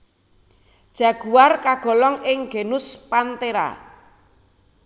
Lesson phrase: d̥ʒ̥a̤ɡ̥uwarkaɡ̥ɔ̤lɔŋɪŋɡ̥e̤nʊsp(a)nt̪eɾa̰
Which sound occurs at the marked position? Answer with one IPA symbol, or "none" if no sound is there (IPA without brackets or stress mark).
a